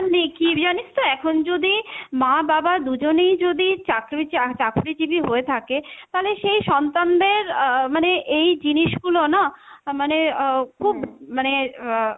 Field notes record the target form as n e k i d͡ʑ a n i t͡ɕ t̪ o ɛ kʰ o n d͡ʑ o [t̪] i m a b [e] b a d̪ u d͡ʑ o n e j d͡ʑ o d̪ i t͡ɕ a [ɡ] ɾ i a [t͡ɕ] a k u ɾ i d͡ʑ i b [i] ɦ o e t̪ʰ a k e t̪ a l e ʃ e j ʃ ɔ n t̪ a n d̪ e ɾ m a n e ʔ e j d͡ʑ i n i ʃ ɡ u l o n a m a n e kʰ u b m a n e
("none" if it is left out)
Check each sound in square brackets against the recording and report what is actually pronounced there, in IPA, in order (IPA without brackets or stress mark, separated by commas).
d̪, a, k, t͡ɕ, i